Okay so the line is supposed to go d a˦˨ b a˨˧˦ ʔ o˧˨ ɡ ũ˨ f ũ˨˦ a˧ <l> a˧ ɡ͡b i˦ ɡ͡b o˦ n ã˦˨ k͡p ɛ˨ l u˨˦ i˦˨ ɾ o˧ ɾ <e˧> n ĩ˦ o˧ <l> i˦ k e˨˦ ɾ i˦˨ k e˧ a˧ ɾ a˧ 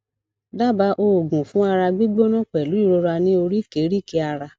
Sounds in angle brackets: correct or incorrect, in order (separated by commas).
incorrect, incorrect, incorrect